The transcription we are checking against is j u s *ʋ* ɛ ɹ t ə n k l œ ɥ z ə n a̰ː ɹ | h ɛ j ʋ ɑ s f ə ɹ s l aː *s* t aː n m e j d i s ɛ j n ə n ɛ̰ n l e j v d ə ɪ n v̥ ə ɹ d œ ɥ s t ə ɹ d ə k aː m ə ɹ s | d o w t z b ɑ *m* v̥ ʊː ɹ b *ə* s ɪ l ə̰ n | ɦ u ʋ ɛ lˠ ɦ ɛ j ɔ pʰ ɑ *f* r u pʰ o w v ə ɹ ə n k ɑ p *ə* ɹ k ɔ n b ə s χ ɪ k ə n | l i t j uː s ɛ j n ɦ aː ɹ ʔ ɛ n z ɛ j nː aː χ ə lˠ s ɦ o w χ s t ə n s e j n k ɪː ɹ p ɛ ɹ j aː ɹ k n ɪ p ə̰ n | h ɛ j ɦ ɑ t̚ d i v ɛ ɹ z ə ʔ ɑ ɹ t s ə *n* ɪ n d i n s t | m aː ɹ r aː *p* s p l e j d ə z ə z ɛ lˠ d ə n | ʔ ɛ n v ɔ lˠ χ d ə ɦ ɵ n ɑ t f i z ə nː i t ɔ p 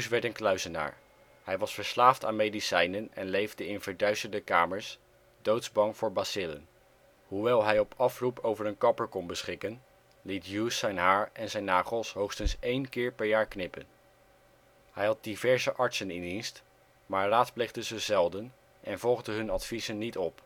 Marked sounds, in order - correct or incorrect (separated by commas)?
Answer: correct, incorrect, incorrect, incorrect, correct, correct, correct, incorrect